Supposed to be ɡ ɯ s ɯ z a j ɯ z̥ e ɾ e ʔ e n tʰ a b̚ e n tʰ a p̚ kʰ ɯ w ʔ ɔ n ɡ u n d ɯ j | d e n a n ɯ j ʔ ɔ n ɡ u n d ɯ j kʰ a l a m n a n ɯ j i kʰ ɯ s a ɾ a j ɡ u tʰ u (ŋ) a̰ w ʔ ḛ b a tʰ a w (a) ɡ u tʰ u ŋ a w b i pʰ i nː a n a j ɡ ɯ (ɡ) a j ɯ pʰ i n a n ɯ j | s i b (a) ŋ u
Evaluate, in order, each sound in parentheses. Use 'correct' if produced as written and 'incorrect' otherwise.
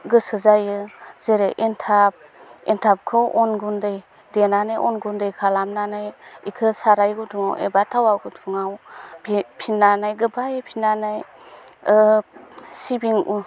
correct, correct, incorrect: b, incorrect: i

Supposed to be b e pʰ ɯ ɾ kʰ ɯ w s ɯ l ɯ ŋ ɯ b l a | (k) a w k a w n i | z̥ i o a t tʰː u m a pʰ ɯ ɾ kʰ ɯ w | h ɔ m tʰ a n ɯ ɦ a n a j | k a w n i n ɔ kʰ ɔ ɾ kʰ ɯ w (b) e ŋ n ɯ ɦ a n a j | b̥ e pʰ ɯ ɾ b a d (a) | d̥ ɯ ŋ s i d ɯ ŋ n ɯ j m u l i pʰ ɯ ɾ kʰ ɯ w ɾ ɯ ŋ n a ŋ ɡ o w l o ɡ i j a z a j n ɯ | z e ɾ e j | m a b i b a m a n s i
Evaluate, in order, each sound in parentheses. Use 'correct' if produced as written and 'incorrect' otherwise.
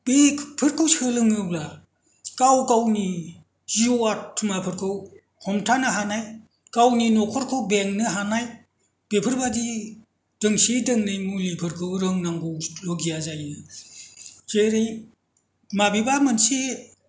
correct, correct, incorrect: i

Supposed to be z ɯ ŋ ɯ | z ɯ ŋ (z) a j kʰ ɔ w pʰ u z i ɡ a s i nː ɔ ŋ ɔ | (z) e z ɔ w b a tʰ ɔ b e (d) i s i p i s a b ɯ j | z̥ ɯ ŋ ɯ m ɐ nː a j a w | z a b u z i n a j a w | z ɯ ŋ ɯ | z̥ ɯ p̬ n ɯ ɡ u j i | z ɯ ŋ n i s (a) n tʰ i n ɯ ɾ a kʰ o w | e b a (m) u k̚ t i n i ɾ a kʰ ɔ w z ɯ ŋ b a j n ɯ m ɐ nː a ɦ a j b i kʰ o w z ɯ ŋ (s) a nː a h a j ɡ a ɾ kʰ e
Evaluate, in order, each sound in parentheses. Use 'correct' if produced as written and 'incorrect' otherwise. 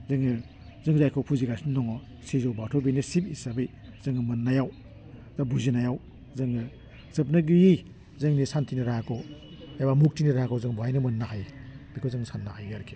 correct, incorrect: s, incorrect: n, correct, correct, correct

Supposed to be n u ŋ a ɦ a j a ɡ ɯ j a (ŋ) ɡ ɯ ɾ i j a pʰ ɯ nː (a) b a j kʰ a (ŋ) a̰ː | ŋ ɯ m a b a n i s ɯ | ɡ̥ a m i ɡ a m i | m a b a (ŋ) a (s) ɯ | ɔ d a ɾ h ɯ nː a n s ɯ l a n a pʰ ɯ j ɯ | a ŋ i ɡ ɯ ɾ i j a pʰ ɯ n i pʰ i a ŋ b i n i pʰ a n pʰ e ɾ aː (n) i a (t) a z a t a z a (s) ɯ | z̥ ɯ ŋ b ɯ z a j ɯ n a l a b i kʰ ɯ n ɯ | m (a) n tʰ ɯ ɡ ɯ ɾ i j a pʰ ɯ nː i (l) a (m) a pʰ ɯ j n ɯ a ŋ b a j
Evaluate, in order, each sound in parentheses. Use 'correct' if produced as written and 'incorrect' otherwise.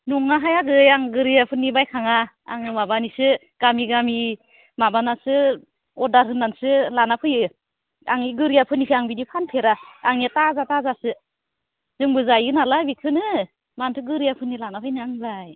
correct, incorrect: i, correct, incorrect: n, correct, incorrect: ŋ, correct, correct, correct, correct, incorrect: n

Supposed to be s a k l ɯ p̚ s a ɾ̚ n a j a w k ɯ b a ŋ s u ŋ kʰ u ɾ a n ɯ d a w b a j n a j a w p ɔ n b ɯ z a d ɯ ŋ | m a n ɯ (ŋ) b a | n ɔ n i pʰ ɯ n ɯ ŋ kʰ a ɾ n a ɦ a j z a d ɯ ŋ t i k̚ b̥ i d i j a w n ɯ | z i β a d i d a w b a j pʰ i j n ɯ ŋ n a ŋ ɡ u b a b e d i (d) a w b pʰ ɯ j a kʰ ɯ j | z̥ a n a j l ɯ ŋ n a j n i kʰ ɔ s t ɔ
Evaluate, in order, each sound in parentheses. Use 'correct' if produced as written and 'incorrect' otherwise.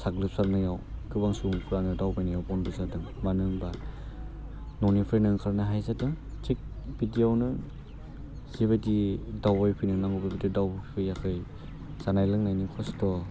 correct, correct

